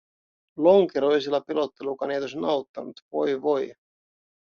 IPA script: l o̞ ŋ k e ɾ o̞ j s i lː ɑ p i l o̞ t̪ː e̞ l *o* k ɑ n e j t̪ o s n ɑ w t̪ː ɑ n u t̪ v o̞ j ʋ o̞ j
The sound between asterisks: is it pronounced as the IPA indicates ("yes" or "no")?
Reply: no